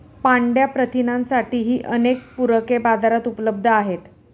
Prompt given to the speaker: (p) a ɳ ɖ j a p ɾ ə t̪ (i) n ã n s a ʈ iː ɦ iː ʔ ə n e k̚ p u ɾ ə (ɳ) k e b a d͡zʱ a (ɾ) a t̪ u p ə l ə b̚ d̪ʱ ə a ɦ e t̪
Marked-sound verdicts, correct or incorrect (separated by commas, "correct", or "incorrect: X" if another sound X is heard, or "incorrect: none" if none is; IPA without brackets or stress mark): correct, correct, incorrect: none, correct